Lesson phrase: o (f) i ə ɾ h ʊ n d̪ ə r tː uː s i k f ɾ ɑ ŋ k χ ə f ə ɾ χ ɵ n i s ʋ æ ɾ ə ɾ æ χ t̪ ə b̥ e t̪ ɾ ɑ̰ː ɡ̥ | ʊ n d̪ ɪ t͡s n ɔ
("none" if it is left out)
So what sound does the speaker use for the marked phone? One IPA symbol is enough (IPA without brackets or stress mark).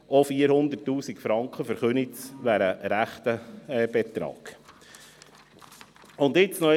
f